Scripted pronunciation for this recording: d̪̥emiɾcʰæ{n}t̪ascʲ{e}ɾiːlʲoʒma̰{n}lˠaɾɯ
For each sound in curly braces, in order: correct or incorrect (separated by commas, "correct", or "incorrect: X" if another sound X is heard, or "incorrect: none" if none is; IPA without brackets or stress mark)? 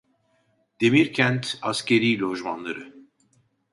correct, correct, correct